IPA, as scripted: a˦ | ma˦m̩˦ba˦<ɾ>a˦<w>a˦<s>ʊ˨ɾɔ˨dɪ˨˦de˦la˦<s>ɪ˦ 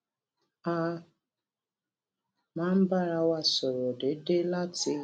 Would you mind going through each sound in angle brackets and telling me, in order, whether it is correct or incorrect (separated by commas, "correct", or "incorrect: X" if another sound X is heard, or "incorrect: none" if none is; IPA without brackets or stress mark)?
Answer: correct, correct, correct, incorrect: t